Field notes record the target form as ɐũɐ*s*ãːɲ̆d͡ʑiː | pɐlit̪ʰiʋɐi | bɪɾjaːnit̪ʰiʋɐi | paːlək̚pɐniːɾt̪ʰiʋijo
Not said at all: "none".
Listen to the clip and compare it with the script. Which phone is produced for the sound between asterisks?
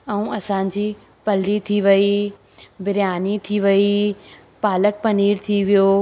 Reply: s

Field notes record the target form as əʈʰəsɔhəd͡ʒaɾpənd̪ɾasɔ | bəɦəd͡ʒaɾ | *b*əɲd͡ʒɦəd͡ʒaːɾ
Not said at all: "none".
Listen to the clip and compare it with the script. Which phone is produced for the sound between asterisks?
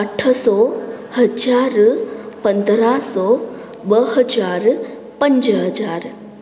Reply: p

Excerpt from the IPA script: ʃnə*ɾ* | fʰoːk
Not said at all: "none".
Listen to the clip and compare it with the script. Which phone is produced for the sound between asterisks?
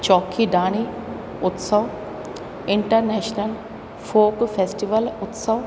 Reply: l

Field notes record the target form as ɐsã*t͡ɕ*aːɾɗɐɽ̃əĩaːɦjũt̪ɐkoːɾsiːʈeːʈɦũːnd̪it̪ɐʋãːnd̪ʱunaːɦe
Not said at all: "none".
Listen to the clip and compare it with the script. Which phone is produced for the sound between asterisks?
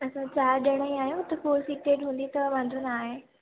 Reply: t͡ɕ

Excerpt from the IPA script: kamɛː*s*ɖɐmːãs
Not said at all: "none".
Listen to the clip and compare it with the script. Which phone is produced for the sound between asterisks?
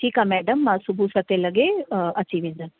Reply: none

